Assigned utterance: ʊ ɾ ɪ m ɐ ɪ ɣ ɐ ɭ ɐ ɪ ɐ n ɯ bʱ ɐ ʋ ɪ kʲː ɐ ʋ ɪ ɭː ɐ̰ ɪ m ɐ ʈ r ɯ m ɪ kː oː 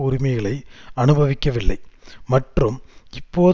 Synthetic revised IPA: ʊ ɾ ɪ m ɐ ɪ ɣ ɐ ɭ ɐ ɪ ɐ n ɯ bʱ ɐ ʋ ɪ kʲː ɐ ʋ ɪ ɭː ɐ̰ ɪ m ɐ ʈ r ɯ m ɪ pː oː